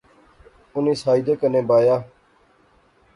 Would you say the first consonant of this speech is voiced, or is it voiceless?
voiced